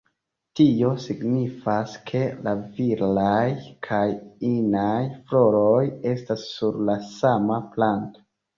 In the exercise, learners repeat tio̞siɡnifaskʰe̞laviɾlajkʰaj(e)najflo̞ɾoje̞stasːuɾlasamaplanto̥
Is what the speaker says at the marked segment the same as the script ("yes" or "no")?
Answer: no